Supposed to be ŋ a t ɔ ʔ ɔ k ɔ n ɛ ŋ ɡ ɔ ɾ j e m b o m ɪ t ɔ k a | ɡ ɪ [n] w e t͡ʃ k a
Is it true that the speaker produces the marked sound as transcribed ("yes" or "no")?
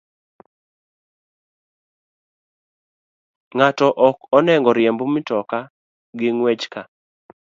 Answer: no